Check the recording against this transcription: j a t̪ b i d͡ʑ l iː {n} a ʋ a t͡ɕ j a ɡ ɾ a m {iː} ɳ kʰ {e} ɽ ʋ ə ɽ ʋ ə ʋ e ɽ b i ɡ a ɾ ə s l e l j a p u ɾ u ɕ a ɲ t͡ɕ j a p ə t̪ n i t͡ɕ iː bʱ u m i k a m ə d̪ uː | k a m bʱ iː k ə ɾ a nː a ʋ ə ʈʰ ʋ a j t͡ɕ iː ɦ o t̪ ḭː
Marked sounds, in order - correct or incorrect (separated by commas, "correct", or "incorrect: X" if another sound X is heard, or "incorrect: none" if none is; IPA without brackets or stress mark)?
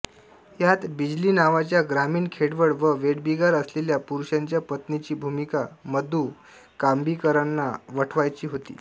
correct, correct, correct